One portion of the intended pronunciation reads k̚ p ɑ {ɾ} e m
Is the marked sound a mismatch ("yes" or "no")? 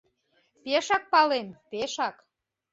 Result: yes